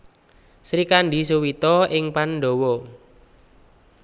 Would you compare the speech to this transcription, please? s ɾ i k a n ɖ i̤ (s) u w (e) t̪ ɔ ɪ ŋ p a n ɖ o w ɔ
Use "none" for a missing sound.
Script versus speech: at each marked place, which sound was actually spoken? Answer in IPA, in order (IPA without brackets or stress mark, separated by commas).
s, i